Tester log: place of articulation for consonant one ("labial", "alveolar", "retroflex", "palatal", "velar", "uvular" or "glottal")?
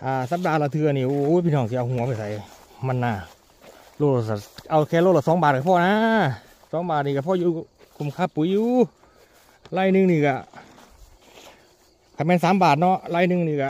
glottal